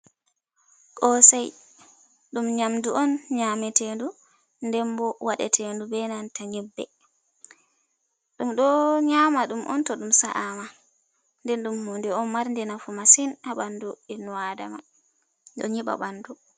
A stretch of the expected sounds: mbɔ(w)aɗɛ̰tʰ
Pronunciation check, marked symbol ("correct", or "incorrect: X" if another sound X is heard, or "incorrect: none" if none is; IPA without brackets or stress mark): correct